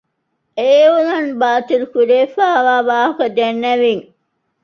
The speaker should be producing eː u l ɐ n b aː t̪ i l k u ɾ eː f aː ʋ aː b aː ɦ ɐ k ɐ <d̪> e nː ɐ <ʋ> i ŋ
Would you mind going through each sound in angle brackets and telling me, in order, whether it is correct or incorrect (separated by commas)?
correct, correct